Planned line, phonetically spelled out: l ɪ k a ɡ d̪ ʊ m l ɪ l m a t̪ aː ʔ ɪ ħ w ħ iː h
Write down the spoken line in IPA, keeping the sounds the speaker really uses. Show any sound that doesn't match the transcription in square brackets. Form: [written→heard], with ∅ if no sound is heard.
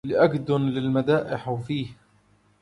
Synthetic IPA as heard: l ɪ [k→ʔ] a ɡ d̪ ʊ [m→n] l ɪ l m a [t̪→d̪] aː ʔ ɪ ħ w [ħ→f] iː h